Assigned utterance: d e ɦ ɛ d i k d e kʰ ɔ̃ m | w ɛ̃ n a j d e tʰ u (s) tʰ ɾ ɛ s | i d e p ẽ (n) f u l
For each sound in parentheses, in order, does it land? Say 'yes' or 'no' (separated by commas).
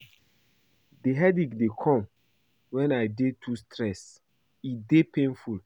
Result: yes, yes